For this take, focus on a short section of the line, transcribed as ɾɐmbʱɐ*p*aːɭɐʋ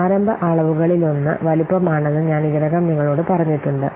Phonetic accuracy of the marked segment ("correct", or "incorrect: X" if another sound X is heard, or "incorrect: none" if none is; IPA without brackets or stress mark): incorrect: ʔ